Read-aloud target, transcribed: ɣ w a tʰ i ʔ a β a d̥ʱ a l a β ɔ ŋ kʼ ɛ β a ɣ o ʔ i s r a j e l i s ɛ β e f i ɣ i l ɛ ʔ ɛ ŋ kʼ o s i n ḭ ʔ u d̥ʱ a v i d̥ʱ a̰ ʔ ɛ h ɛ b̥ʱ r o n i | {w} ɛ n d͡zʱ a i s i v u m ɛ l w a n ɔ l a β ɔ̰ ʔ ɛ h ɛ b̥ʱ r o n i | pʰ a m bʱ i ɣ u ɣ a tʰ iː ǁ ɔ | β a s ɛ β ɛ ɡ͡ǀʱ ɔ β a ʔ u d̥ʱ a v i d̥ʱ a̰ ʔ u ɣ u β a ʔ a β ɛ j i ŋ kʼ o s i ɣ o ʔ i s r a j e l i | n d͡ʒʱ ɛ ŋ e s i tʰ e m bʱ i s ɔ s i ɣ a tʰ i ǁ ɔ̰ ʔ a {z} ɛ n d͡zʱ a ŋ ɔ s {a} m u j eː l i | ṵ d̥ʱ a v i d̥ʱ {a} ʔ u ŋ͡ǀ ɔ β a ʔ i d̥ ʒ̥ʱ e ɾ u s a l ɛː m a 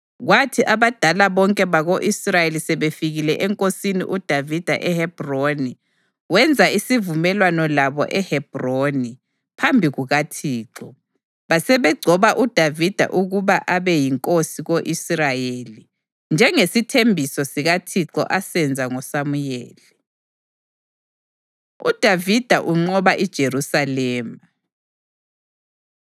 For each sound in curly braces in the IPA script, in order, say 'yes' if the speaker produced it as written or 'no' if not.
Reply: yes, no, yes, yes

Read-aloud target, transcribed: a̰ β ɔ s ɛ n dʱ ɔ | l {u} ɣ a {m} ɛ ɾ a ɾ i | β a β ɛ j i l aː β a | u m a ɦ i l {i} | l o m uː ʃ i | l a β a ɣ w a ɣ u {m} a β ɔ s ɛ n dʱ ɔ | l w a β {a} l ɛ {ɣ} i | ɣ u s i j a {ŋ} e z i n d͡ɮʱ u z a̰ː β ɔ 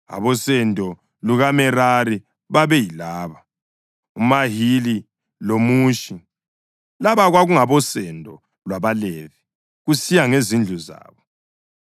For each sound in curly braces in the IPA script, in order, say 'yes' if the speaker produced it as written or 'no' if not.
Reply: yes, yes, yes, no, yes, no, yes

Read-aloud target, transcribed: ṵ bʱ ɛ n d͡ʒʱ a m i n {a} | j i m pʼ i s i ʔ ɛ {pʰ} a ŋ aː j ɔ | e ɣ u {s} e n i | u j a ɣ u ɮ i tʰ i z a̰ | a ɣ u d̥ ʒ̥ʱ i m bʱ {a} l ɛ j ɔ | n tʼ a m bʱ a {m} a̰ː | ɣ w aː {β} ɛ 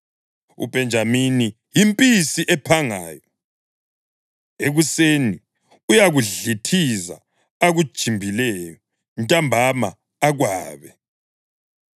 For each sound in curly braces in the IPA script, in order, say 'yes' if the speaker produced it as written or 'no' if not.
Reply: no, yes, yes, no, yes, yes

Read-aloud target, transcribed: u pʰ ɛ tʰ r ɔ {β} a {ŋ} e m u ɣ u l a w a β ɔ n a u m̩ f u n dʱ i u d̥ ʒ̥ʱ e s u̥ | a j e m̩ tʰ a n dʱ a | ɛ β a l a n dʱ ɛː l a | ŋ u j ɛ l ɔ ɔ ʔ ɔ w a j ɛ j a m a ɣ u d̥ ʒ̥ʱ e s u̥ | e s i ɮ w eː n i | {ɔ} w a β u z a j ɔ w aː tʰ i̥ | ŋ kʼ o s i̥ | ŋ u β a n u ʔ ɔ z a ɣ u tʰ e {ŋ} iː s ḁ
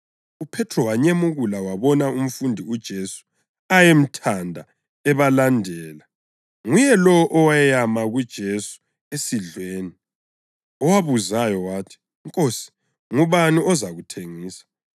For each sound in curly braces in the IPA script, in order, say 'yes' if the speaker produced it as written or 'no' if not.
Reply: no, no, yes, yes

